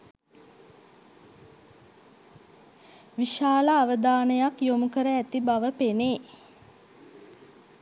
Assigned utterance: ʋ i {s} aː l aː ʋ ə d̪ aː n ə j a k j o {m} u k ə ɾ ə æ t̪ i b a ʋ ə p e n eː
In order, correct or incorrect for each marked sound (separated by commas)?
incorrect, correct